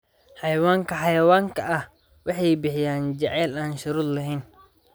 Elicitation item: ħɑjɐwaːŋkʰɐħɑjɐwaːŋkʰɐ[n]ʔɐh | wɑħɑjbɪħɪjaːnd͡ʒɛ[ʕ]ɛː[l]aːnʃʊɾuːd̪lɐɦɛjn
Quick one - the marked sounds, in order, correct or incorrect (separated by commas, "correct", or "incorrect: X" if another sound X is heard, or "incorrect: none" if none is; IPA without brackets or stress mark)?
incorrect: none, correct, correct